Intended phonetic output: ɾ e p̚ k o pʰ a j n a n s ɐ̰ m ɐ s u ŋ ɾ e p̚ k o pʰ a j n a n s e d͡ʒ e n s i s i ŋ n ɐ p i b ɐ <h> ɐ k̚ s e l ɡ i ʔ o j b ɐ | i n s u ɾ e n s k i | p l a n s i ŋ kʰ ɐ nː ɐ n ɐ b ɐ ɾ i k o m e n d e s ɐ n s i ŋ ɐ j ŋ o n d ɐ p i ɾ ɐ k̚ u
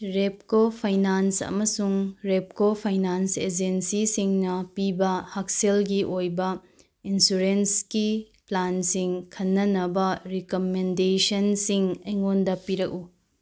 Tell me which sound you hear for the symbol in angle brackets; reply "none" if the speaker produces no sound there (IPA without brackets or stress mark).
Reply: h